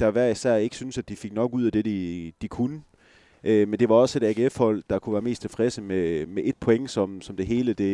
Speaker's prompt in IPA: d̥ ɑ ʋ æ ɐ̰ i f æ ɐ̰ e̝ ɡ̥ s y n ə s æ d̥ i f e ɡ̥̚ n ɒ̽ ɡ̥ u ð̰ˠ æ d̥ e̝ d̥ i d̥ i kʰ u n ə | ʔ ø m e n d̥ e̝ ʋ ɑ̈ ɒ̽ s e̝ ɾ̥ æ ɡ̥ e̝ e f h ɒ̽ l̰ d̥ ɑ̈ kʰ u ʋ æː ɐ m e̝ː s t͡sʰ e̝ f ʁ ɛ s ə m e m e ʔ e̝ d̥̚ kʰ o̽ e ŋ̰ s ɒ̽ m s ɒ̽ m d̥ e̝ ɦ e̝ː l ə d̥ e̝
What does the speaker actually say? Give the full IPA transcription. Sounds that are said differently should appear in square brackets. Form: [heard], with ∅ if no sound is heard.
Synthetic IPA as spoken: d̥ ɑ ʋ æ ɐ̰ i [s] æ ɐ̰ e̝ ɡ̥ s y n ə s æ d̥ i f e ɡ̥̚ n ɒ̽ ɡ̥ u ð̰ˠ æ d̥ e̝ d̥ i d̥ i kʰ u n ə | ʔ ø m e n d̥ e̝ ʋ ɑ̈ ɒ̽ s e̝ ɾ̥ æ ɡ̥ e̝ e f h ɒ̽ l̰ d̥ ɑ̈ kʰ u ʋ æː ɐ m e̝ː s t͡sʰ e̝ f ʁ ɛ s ə m e m e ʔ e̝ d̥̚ [pʰ] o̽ e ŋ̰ s ɒ̽ m s ɒ̽ m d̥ e̝ ɦ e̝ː l ə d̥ e̝